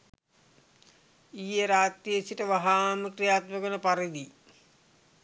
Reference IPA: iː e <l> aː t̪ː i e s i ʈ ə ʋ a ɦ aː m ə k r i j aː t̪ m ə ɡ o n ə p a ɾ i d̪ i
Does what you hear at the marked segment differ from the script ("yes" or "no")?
yes